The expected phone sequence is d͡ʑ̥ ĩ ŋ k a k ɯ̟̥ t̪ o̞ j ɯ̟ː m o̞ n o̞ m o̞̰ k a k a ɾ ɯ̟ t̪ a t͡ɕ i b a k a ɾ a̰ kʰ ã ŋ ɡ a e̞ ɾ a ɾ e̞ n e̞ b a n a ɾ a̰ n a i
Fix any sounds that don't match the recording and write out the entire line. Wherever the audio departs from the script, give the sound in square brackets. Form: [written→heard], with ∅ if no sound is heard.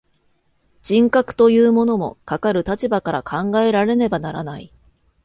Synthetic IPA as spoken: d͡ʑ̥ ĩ ŋ k a k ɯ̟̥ t̪ o̞ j ɯ̟ː m o̞ n o̞ m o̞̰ k a k a ɾ ɯ̟ t̪ a t͡ɕ i b a k a ɾ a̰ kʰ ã ŋ ɡ a e̞ ɾ a ɾ e̞ n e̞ b a n a ɾ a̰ n a i